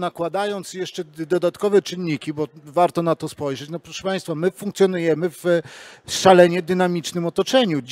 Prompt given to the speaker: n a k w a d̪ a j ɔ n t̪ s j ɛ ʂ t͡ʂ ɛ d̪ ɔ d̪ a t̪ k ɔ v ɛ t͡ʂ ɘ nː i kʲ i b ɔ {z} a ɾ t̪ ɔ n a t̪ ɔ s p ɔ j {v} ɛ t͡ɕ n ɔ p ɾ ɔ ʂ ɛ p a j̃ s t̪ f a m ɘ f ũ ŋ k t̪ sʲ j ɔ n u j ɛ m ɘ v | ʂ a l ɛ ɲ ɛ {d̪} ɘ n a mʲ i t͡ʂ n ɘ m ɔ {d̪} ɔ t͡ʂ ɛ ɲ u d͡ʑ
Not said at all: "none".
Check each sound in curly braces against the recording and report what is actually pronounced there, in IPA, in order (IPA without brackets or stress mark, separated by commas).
v, ʐ, d̪, t̪